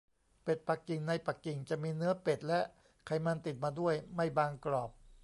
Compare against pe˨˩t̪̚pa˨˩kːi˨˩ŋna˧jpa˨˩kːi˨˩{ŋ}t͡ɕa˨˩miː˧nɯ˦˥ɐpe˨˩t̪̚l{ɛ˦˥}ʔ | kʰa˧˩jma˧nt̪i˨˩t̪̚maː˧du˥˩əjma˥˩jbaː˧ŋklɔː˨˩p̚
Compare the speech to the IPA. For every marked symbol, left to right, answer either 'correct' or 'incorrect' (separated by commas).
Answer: correct, correct